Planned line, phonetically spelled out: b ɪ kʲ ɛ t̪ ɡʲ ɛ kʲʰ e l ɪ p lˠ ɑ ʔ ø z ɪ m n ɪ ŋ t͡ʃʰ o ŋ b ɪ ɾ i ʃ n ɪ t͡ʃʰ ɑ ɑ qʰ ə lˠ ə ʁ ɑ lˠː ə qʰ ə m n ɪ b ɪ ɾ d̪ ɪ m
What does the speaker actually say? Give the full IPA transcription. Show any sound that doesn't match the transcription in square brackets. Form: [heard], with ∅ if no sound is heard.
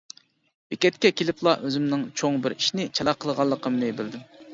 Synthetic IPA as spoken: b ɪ kʲ ɛ t̪ [kʲ] ɛ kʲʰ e l ɪ p lˠ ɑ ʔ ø z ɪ m n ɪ ŋ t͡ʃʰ o ŋ b ɪ ɾ i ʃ n ɪ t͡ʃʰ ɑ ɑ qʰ ə lˠ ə ʁ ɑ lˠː ə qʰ ə m n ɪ b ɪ [l] d̪ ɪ m